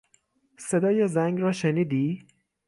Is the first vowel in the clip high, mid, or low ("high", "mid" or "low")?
mid